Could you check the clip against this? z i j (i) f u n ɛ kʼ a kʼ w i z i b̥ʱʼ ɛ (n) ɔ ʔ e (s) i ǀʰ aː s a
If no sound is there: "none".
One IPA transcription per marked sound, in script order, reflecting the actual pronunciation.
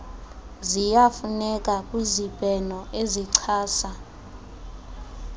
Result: a, n, z

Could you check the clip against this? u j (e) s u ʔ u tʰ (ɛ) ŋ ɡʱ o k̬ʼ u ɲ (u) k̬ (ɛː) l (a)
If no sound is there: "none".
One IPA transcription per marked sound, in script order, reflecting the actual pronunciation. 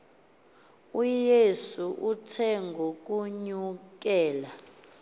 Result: e, ɛ, u, ɛː, a

